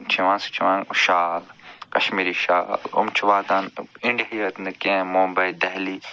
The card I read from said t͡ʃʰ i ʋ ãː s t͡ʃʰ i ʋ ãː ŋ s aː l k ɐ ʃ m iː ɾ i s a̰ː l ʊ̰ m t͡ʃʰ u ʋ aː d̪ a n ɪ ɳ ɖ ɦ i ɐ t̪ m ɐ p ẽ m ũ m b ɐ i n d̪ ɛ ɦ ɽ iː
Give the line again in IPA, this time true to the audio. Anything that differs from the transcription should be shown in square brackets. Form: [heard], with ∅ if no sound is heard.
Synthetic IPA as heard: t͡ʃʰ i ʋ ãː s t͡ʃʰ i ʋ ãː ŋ [ʃ] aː l k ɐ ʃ m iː ɾ i [ʃ] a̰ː l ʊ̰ m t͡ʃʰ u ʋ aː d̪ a n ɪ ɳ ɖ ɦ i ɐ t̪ [n] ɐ [k] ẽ m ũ m b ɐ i [∅] d̪ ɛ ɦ [l] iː